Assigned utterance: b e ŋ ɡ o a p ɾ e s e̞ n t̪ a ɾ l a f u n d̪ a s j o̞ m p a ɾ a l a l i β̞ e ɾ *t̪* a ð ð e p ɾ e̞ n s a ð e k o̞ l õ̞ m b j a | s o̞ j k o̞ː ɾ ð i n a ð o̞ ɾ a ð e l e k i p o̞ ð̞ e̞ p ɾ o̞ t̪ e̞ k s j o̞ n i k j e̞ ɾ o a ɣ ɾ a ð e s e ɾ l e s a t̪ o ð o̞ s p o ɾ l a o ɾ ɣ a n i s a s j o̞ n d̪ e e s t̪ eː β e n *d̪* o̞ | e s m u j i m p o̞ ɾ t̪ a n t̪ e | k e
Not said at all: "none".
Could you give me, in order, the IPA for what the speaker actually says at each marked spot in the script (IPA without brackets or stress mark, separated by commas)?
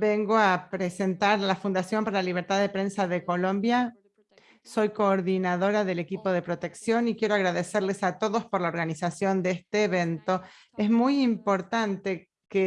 t̪, t̪